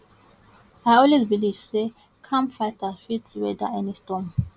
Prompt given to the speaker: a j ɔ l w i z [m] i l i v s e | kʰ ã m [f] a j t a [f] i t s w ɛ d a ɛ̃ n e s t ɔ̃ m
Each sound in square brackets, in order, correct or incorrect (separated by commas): incorrect, correct, correct